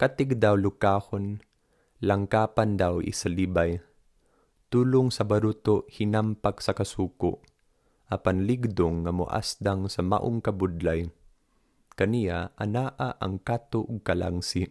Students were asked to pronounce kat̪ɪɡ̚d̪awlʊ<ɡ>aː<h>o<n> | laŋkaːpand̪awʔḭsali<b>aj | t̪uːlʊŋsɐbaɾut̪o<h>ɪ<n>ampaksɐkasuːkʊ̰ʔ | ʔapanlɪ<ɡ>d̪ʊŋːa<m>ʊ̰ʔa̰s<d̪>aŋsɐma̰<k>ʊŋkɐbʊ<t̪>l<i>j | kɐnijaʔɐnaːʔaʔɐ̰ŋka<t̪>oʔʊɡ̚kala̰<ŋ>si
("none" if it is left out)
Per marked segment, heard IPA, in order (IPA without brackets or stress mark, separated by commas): k, h, n, b, h, n, ɡ, m, d̪, ʔ, d̪, a, t̪, ŋ